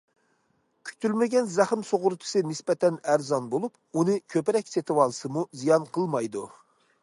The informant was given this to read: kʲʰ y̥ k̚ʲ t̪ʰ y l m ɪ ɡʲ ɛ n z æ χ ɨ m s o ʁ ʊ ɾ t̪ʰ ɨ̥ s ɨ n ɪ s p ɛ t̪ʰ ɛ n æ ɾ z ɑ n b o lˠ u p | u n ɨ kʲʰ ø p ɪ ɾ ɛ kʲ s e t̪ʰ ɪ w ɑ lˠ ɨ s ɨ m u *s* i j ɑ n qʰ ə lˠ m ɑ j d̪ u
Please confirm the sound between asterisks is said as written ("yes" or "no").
no